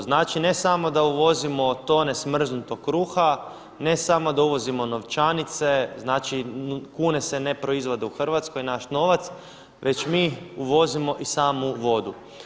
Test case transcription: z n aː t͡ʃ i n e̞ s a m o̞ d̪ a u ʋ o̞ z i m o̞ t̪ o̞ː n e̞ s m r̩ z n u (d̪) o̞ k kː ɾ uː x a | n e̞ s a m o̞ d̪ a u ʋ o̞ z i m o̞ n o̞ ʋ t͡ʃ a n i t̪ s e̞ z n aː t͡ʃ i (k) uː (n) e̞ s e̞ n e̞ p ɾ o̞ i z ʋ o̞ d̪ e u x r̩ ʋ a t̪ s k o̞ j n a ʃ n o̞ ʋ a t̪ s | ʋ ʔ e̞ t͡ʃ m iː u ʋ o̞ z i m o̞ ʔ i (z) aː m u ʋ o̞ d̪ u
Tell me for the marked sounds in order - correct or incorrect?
incorrect, correct, correct, incorrect

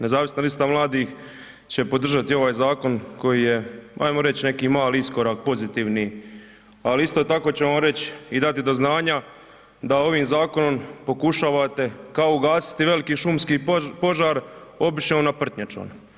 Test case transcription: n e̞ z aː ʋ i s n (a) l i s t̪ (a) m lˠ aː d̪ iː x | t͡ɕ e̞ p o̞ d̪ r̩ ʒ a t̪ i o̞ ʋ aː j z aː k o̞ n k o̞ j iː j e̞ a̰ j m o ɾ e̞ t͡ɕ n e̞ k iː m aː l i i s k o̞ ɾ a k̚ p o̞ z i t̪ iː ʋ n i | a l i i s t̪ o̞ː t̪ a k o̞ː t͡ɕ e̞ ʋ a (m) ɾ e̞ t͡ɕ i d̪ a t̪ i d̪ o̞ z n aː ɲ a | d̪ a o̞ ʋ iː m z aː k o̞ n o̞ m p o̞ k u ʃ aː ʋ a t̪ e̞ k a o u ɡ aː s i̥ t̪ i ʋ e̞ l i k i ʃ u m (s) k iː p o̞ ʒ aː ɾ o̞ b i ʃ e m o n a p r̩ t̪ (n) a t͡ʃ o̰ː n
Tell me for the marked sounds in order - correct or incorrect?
correct, correct, correct, correct, incorrect

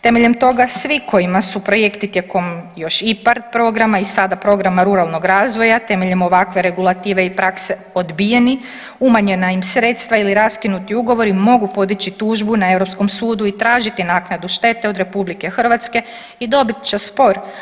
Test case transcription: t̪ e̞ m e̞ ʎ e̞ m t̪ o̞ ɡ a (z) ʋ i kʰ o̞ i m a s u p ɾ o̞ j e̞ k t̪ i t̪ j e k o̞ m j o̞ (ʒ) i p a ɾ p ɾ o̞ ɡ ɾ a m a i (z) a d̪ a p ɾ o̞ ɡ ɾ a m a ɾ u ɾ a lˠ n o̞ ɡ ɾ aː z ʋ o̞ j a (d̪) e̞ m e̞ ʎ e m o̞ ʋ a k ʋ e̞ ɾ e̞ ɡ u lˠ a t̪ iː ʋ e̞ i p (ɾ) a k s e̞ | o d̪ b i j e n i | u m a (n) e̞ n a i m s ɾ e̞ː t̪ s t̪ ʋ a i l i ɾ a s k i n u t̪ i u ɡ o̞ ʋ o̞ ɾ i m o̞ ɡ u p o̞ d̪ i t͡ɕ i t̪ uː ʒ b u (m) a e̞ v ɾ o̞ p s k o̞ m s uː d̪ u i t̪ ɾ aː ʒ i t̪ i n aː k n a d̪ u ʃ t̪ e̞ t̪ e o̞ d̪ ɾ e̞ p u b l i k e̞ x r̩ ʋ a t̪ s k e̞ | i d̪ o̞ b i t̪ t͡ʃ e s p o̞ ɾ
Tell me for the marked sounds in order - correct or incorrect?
incorrect, incorrect, incorrect, incorrect, correct, incorrect, incorrect

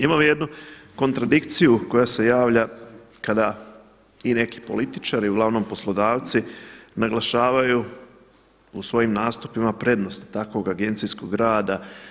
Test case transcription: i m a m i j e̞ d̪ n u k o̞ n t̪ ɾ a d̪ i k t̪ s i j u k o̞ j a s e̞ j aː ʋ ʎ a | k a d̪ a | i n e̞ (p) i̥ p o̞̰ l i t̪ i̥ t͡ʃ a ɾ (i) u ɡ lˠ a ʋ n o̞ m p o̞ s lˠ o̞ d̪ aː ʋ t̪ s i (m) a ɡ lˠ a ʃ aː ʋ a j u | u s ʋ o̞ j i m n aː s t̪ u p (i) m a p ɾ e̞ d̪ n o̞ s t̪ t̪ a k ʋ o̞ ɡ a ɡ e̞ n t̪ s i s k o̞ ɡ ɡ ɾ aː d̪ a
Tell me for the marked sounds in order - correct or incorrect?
incorrect, correct, incorrect, correct

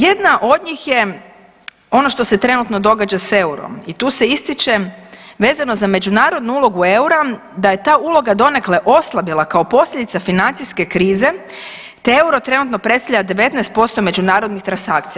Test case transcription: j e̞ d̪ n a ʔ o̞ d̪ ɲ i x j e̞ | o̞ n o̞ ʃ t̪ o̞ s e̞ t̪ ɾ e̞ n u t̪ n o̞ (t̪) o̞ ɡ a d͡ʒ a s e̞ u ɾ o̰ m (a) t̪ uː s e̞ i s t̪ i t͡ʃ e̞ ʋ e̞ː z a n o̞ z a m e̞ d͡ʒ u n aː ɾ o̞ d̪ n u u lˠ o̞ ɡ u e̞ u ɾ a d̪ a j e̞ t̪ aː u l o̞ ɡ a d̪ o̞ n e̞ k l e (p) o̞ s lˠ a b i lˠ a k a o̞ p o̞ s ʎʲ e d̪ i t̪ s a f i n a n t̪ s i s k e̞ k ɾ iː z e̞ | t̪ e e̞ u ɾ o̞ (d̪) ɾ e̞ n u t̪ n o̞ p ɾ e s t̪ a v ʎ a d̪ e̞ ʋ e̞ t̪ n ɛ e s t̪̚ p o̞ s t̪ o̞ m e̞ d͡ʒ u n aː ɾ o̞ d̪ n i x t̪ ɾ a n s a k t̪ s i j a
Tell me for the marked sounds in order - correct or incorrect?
incorrect, incorrect, incorrect, incorrect

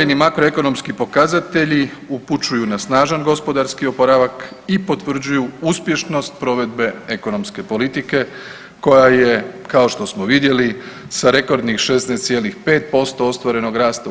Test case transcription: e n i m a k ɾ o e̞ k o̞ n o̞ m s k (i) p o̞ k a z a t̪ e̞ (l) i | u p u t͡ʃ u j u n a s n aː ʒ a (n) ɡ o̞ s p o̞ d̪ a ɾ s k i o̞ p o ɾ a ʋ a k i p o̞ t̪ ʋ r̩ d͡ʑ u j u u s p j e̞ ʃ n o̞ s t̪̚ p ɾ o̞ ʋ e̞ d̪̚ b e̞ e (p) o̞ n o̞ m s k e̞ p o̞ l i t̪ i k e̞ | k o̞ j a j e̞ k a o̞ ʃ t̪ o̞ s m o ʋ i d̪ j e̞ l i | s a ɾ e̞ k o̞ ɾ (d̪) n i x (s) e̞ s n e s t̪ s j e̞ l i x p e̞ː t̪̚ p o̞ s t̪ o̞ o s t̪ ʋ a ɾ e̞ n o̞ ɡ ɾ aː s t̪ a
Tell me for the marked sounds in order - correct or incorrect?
correct, incorrect, correct, incorrect, correct, incorrect

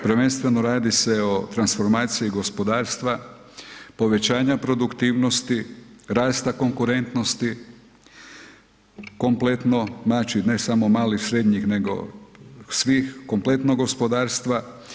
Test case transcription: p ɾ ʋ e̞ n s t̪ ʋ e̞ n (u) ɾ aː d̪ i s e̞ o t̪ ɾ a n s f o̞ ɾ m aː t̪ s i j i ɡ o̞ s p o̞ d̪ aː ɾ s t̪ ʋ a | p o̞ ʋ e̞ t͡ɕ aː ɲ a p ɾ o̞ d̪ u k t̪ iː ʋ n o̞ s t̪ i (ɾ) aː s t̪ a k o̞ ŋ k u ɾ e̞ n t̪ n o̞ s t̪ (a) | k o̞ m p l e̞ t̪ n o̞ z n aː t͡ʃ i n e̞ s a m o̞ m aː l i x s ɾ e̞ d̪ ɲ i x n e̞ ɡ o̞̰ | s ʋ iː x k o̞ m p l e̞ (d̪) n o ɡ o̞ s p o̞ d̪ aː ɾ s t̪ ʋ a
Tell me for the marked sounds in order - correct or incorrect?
incorrect, correct, incorrect, incorrect

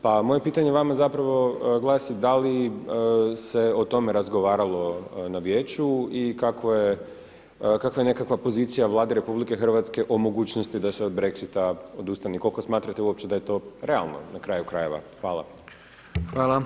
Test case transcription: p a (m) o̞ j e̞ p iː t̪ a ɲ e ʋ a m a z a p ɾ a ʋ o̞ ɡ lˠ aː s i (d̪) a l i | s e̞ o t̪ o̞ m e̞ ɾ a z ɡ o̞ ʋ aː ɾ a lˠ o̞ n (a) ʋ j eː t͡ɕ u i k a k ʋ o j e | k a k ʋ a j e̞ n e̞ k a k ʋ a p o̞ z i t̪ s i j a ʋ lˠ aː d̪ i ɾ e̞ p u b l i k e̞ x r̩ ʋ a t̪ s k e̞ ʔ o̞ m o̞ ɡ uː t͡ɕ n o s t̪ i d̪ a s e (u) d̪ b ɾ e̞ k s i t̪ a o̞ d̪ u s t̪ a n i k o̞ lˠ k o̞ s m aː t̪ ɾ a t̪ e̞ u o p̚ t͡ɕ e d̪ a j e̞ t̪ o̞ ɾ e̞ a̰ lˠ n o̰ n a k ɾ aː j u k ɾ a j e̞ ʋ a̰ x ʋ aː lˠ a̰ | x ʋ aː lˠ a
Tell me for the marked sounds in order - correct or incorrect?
correct, correct, correct, incorrect

